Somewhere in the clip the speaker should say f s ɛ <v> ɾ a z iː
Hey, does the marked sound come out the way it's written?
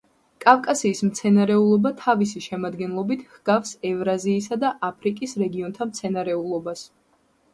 yes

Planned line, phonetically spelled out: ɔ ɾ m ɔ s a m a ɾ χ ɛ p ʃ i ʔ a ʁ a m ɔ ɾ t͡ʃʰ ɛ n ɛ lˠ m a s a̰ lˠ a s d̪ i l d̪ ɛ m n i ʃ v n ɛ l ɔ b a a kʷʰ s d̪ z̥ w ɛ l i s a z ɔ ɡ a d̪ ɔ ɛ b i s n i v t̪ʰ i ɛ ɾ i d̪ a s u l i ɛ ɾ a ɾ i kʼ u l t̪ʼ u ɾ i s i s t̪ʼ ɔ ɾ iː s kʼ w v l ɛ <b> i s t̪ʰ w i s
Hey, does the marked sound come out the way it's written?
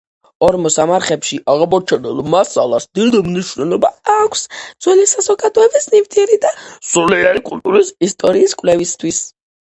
no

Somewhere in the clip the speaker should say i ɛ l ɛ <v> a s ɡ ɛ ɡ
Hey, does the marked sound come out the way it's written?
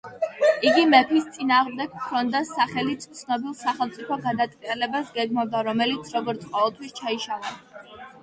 no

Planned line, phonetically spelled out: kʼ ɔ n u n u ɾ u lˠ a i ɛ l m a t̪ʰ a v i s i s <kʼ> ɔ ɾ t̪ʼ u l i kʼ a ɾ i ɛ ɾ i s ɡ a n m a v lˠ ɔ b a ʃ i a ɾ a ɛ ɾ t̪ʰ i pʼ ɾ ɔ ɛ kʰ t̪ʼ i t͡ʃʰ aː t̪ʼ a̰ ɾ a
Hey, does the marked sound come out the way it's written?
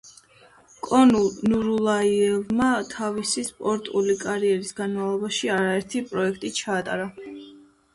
no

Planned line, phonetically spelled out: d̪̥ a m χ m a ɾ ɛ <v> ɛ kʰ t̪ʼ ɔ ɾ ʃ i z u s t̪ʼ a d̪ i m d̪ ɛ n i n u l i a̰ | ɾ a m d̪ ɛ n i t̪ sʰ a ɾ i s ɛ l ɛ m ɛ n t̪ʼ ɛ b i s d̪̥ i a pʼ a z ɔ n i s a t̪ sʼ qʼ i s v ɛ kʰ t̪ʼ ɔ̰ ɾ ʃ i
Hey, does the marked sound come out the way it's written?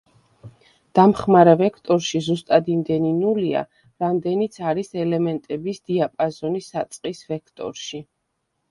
yes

